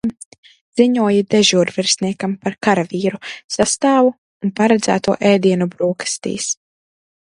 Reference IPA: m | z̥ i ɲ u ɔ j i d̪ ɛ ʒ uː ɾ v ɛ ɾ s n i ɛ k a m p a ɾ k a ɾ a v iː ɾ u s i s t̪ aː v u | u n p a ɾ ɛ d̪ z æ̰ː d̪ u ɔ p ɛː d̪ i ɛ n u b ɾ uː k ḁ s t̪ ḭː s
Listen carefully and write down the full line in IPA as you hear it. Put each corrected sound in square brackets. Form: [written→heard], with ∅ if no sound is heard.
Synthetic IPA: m | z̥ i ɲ u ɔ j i d̪ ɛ ʒ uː ɾ v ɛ ɾ s n i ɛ k a m p a ɾ k a ɾ a v iː ɾ u s [i→a] s t̪ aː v u | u n p a ɾ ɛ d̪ z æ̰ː [d̪→t̪] u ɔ [p→ʔ] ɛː d̪ i ɛ n u b ɾ uː k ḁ s t̪ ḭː s